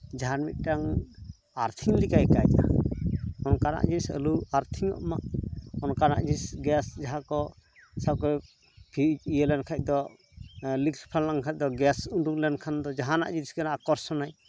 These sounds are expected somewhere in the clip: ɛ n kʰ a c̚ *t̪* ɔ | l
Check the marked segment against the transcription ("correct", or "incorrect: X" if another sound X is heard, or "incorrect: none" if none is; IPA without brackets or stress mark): incorrect: d̪